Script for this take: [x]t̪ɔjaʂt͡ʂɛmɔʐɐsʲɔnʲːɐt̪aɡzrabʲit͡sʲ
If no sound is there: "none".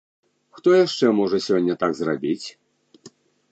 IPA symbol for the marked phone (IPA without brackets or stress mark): x